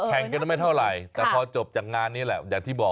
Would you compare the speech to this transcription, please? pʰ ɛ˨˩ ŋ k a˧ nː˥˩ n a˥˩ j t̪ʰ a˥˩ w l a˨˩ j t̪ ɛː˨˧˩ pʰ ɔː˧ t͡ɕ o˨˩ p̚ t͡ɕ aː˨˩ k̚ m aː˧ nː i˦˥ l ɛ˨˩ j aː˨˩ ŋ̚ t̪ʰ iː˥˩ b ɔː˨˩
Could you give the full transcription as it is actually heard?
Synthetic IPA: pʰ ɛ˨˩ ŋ k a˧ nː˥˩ m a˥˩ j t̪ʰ a˥˩ w ɾ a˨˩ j t̪ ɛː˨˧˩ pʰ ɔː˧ t͡ɕ o˨˩ p̚ t͡ɕ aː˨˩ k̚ ŋ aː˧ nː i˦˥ l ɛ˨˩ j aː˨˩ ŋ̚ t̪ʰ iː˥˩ b ɔː˨˩

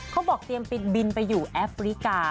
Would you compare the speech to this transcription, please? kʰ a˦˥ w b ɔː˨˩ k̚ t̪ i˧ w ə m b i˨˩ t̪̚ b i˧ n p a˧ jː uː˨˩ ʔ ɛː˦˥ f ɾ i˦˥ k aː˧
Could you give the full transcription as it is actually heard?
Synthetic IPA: kʰ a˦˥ w b ɔː˨˩ k̚ t̪ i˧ ə m p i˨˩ t̪̚ b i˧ n p a˧ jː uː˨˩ ʔ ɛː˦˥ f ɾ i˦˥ k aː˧

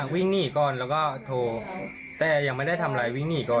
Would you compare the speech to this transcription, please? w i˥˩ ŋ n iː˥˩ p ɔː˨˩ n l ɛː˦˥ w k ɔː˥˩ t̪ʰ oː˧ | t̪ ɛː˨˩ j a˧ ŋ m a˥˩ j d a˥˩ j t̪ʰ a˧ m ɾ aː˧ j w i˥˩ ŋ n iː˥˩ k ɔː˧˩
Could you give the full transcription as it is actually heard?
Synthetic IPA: w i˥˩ ŋ n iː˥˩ k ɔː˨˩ n l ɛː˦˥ w k ɔː˥˩ t̪ʰ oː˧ | t̪ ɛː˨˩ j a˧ ŋ m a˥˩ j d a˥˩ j t̪ʰ a˧ m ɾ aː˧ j w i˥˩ ŋ n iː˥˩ k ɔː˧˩

